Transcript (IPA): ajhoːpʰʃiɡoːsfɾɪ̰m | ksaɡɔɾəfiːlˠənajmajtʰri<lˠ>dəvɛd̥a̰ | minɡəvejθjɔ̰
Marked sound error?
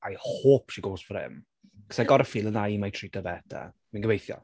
yes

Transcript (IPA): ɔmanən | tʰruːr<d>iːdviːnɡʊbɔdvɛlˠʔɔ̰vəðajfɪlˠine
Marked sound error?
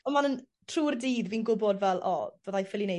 no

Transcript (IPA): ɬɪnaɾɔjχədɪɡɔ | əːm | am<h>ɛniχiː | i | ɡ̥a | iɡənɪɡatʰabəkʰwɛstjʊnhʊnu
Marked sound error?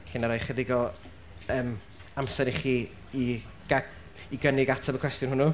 yes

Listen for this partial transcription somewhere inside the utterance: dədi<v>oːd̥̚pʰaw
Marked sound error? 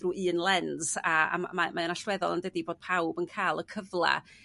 yes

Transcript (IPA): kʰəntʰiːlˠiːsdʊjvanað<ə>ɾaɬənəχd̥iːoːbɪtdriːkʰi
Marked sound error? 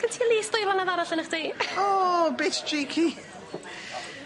yes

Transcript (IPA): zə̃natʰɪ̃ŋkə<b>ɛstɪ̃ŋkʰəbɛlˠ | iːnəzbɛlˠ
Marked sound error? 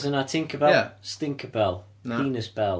no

